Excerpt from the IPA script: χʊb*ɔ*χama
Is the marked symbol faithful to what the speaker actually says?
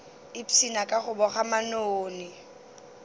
yes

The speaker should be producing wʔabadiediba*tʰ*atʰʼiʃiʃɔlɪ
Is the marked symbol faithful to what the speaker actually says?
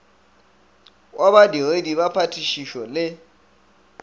no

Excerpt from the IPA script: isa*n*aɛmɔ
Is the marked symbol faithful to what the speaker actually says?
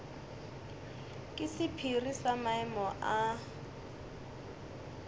no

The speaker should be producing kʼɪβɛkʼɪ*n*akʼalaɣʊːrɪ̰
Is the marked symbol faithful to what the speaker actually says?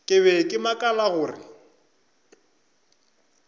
no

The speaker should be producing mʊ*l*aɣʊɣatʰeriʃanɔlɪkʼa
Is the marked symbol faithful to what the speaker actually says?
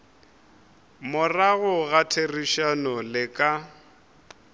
no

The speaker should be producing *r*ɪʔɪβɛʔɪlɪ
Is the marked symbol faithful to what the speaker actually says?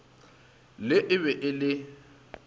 no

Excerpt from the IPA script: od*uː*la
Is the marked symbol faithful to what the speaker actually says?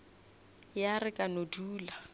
yes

